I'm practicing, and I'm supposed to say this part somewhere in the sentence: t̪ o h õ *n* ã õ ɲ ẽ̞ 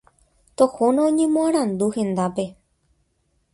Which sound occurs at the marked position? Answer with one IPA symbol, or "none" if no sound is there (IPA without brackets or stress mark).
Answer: n